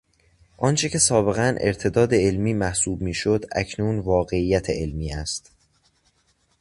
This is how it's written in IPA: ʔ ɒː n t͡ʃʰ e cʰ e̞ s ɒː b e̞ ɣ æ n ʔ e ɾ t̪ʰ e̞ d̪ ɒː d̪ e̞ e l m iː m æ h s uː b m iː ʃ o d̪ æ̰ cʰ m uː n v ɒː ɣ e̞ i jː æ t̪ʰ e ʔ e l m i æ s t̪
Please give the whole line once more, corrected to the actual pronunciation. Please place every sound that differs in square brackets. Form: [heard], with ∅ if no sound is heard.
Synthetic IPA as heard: ʔ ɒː n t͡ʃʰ e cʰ e̞ s ɒː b e̞ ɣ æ n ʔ e ɾ t̪ʰ e̞ d̪ ɒː d̪ e̞ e l m iː m æ h s uː b m iː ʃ o d̪ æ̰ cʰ [n] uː n v ɒː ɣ e̞ i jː æ t̪ʰ e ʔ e l m [iː] æ s t̪